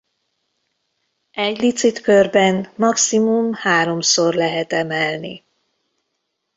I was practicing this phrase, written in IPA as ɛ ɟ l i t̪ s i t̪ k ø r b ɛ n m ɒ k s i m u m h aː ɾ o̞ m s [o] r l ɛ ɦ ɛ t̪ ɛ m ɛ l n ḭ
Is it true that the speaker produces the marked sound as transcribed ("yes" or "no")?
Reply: yes